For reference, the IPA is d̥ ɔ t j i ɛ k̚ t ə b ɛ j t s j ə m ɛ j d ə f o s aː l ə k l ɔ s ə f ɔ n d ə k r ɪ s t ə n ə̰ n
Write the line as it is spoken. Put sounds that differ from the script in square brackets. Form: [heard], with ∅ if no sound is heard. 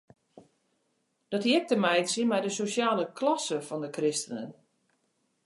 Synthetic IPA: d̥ ɔ t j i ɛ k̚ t ə [m] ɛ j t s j ə m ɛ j d ə [s] o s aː l ə k l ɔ s ə f ɔ n d ə k r ɪ s t ə n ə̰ n